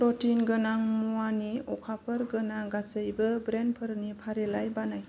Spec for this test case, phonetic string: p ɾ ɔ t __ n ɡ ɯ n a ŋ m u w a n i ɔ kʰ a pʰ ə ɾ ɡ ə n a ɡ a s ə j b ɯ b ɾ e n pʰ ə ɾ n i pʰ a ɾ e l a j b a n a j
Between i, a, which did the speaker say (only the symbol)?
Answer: i